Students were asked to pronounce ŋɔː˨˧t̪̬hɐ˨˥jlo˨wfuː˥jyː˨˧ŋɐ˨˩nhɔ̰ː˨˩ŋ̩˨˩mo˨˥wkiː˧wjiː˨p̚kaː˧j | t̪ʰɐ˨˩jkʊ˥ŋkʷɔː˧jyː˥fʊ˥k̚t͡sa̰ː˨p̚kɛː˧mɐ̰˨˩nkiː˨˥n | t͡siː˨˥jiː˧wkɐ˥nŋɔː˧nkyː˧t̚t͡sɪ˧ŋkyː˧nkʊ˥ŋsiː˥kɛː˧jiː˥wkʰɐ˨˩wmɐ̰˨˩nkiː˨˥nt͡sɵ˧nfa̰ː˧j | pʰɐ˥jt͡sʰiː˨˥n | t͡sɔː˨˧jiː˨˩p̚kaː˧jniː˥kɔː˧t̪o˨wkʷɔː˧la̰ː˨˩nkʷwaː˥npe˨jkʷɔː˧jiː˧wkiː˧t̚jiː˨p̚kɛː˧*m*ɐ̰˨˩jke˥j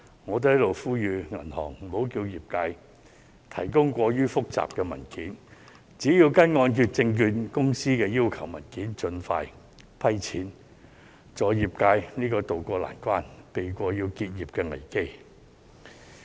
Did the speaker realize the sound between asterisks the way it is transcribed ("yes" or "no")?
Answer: no